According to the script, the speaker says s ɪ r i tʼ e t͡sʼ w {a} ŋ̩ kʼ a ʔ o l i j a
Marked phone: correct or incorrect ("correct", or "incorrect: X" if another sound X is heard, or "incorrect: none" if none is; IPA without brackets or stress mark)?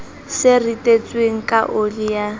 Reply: incorrect: e